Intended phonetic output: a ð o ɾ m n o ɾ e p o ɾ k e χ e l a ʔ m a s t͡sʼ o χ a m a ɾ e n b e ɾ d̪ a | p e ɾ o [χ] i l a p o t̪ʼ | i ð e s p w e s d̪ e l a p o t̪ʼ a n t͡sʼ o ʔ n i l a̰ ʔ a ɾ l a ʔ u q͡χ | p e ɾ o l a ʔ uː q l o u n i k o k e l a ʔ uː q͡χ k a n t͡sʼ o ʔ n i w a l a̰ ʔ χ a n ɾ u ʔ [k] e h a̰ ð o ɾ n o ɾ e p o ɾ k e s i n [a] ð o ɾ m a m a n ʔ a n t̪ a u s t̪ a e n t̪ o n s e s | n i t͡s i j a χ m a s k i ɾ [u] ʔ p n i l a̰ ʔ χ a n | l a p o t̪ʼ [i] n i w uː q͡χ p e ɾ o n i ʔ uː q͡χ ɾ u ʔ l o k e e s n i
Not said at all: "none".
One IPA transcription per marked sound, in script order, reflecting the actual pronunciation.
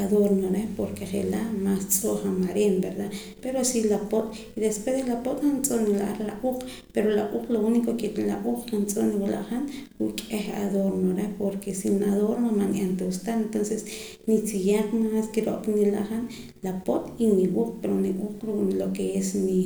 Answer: s, kʼ, a, o, i

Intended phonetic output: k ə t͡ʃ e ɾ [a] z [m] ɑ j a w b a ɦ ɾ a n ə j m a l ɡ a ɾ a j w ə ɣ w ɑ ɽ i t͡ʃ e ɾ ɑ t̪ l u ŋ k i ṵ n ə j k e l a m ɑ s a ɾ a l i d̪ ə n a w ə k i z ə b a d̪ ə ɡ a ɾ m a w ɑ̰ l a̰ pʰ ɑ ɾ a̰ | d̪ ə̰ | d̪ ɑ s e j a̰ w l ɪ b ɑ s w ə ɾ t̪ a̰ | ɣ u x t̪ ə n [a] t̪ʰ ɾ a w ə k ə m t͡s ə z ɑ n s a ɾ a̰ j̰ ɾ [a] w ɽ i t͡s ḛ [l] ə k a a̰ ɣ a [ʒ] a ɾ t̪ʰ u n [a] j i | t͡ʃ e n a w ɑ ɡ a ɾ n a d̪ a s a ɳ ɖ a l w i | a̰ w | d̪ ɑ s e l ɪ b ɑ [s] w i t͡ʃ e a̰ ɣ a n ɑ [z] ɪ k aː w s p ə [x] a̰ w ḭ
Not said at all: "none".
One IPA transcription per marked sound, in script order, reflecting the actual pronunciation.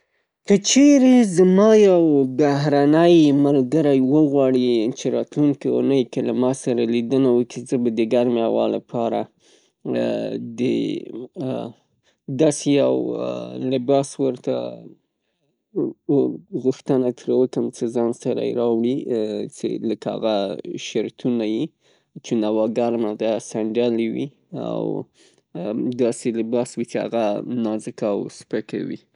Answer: e, m, a, ɑ, l, ʃ, a, s, z, k

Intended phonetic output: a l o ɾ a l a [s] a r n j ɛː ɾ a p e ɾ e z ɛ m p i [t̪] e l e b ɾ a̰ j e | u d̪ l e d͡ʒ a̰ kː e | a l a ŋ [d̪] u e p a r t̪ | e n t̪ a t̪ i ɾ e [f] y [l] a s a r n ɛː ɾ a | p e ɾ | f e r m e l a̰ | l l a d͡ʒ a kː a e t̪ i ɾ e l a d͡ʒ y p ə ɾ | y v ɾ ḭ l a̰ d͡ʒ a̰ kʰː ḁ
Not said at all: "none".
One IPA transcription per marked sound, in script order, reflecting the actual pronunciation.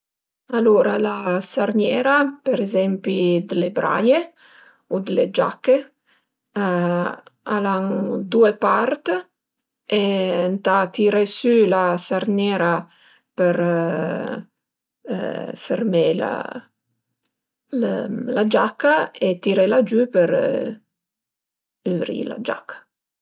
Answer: s, d̪, d̪, s, l

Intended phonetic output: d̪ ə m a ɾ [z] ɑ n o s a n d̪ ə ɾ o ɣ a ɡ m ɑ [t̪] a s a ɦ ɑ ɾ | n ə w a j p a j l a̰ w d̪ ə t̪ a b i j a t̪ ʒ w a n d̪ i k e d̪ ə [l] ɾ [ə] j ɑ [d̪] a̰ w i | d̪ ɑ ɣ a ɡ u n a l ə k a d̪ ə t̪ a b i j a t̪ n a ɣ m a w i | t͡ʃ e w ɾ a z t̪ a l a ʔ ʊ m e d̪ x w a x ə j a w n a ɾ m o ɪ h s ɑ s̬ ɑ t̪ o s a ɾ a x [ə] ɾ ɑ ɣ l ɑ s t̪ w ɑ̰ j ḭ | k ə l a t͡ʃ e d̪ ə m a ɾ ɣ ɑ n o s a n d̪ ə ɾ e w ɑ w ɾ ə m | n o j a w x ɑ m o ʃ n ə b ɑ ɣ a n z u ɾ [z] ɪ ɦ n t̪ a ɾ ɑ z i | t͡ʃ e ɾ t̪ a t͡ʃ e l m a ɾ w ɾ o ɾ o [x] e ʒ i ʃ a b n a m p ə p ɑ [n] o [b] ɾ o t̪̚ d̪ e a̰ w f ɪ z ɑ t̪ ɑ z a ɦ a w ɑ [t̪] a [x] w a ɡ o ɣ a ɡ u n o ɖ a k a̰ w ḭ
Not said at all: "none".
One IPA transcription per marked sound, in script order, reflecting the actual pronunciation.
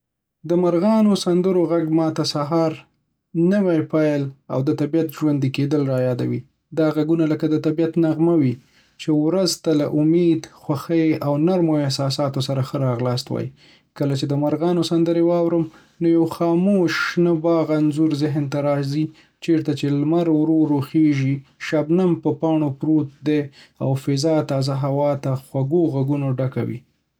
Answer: ɣ, t̪, l, ɑ, d̪, ə, z, x, ɳ, p, t̪, x

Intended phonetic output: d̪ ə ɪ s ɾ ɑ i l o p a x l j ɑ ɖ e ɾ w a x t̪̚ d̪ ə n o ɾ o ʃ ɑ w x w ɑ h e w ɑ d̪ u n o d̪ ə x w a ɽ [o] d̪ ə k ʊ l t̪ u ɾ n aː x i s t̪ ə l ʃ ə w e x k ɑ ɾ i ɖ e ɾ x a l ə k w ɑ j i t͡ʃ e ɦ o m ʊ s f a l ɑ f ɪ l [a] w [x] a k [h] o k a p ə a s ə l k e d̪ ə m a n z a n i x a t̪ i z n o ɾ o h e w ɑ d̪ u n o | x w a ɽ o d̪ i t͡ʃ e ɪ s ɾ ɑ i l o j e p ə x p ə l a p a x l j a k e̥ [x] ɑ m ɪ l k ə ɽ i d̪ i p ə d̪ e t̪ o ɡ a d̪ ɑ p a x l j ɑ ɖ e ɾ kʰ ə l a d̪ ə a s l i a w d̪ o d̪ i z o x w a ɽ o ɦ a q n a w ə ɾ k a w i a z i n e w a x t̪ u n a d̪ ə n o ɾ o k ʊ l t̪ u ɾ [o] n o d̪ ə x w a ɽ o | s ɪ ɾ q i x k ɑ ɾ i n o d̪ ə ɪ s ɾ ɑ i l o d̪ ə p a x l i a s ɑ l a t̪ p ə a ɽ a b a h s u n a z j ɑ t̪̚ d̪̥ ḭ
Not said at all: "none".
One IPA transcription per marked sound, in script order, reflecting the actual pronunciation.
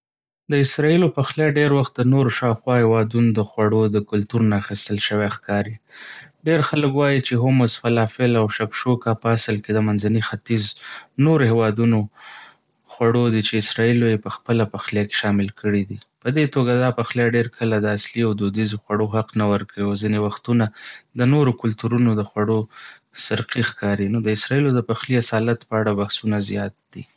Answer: o, a, ʃ, ʃ, ʃ, u

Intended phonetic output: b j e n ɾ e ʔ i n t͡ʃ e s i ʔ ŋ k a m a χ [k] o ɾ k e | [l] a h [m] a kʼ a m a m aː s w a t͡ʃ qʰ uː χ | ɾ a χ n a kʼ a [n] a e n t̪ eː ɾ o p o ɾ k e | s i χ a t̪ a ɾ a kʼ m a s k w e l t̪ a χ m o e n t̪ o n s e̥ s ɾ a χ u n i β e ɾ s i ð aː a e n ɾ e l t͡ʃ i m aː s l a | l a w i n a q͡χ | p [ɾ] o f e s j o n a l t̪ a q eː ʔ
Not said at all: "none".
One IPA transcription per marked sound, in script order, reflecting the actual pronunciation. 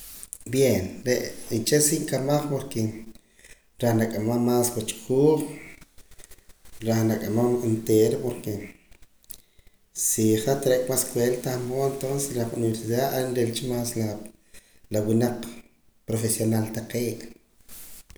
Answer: p, ɾ, n, m, ɾ

